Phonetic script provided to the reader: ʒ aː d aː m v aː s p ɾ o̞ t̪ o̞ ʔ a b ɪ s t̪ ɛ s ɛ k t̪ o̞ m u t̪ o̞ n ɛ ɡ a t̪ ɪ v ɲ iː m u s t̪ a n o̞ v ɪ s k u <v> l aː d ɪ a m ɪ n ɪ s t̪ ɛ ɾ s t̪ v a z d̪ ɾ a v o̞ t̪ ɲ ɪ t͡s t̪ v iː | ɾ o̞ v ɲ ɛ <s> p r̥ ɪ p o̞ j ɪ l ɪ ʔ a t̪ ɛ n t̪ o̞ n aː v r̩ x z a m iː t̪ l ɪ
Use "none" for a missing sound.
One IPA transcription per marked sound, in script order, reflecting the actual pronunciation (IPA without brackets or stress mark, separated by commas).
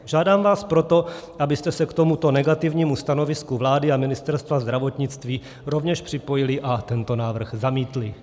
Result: v, ʃ